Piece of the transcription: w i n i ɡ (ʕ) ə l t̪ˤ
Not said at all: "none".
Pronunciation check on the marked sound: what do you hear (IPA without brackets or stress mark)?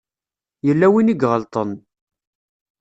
ʁ